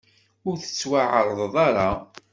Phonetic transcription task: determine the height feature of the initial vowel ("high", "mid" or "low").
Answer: high